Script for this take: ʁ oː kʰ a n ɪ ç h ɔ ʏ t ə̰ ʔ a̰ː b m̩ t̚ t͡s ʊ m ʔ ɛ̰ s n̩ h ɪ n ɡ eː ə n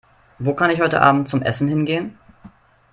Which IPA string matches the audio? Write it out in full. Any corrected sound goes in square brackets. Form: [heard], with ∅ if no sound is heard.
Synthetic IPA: [v] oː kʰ a n ɪ ç h ɔ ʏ t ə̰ ʔ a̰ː b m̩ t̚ t͡s ʊ m ʔ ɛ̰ s n̩ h ɪ n ɡ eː ə n